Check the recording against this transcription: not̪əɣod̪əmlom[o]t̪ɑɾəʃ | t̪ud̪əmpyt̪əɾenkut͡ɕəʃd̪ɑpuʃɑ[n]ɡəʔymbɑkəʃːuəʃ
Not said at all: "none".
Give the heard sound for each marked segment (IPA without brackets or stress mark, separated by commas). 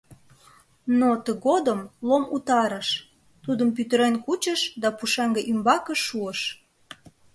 u, ŋ